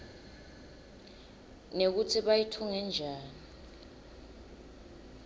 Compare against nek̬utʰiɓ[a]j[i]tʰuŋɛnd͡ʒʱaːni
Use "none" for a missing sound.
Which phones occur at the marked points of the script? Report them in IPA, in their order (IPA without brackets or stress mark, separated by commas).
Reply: a, i